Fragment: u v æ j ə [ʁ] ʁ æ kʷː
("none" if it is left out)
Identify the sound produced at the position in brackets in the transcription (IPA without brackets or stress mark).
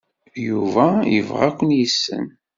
v